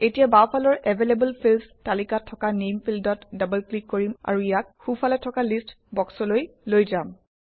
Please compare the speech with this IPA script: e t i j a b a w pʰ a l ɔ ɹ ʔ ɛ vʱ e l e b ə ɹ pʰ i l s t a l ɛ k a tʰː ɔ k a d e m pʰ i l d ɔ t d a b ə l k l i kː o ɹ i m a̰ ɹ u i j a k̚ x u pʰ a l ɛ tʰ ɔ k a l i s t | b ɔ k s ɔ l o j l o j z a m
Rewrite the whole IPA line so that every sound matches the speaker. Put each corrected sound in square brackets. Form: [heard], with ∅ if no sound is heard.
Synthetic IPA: e t i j a b a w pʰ a l ɔ ɹ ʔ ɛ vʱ e l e b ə [l] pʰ i l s t a l [i] k a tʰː ɔ k a [n] e m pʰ i l d ɔ t d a b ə l k l i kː o ɹ i m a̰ ɹ u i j a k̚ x u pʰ a l ɛ tʰ ɔ k a l i s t | b ɔ k s ɔ l o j l o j z a m